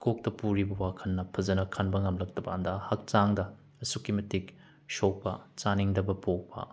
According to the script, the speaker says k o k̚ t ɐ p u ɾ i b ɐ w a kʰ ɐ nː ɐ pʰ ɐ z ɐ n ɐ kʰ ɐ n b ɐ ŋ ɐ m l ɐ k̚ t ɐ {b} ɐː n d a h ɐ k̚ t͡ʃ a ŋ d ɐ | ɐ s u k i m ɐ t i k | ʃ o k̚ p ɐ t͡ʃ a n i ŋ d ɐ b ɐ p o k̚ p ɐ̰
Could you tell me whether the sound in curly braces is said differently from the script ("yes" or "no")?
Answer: no